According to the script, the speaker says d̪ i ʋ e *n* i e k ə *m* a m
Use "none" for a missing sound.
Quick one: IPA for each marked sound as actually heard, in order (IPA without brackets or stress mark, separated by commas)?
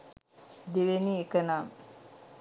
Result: n, n